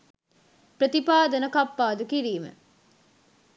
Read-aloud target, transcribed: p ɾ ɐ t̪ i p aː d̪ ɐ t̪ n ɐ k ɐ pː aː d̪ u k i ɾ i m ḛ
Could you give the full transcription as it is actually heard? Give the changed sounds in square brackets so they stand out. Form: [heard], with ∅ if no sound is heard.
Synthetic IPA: p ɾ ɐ t̪ i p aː d̪ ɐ [∅] n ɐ k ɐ pː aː d̪ u k i ɾ [iː] m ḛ